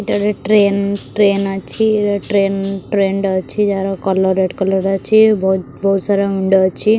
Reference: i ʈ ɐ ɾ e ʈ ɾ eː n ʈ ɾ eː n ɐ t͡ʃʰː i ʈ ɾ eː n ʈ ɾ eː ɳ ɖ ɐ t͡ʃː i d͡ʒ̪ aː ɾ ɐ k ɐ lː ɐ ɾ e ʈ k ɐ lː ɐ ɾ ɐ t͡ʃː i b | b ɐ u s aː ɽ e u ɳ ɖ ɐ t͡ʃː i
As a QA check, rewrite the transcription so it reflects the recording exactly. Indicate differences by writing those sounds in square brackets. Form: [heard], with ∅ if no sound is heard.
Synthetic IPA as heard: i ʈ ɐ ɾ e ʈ ɾ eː n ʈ ɾ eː n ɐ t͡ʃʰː i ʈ ɾ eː n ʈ ɾ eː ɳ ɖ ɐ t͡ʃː i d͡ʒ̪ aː ɾ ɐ k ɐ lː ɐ ɾ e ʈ k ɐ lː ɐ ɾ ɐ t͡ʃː i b | b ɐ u s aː [ɾ] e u ɳ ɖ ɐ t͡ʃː i